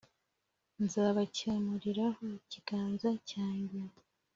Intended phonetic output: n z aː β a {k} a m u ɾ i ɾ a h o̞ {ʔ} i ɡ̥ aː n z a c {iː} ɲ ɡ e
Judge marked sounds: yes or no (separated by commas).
no, no, no